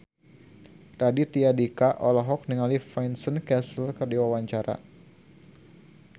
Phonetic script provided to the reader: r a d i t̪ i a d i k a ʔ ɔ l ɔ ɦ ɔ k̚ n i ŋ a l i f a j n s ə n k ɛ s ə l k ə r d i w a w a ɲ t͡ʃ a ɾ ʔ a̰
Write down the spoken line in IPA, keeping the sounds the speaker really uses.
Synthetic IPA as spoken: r a d i t̪ i a d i k a ʔ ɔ l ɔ ɦ ɔ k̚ n i ŋ a l i f a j n s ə n k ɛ s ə l k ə r d i w a w a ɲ t͡ʃ a ɾ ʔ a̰